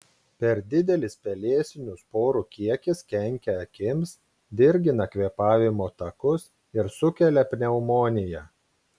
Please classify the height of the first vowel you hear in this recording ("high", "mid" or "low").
mid